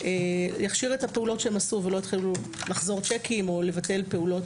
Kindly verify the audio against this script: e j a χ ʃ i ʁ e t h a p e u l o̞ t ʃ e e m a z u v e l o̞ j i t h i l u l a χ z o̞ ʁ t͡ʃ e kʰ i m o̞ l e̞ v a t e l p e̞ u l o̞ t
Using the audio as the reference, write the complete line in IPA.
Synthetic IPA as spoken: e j a χ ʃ i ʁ e t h a p e u l o̞ t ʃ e e m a s u v e l o̞ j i t χ i l u l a χ z o̞ ʁ t͡ʃ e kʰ i m o̞ l e̞ v a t e l p e̞ u l o̞ t